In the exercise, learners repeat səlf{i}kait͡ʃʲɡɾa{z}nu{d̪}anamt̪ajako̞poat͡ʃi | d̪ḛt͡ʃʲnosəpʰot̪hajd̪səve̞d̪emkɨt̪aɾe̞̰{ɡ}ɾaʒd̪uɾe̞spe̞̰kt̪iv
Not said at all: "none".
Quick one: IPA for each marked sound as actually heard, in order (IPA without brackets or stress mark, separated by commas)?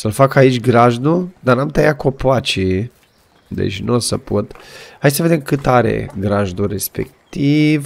a, ʒ, d̪, ɡ